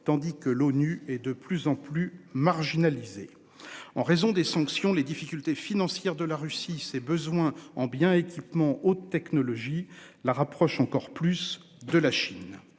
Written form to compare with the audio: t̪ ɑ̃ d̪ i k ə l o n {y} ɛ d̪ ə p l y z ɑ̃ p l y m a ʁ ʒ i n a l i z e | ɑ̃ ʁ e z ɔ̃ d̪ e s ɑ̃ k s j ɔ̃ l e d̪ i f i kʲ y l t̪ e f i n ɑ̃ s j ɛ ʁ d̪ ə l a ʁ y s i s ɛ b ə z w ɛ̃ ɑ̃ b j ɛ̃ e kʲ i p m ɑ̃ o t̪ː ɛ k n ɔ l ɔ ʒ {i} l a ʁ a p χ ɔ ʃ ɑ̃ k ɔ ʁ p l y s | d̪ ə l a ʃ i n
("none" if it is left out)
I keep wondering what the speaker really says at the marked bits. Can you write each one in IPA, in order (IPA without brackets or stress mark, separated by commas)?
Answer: y, i